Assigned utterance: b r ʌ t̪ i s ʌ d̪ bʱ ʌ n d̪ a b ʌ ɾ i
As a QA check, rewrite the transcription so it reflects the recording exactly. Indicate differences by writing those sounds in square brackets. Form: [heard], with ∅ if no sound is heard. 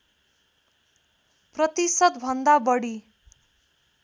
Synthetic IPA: [p] r ʌ t̪ i s ʌ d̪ bʱ ʌ n d̪ a b ʌ [ɽ] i